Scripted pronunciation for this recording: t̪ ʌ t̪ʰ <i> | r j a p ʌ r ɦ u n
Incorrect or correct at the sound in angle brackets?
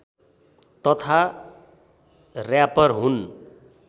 incorrect: a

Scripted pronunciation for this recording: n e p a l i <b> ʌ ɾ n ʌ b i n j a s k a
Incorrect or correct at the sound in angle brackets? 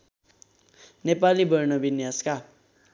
correct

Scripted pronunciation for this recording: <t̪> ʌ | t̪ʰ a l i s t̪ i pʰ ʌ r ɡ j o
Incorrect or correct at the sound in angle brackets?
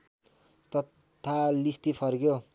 correct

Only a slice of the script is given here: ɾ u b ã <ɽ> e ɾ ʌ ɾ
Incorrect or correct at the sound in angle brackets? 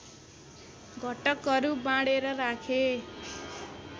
correct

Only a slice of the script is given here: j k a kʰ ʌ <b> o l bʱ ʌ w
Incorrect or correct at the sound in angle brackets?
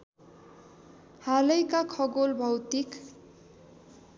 incorrect: ɡ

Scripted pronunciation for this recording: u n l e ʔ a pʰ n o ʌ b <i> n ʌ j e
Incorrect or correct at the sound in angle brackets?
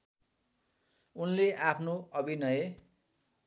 correct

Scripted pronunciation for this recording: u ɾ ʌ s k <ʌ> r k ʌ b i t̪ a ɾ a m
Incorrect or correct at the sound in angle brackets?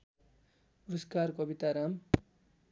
incorrect: a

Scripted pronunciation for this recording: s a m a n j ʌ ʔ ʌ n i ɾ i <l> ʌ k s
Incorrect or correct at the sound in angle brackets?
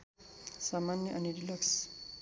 correct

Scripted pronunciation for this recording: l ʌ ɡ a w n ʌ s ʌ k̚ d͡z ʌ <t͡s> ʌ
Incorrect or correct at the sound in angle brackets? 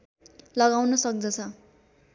incorrect: t͡sʰ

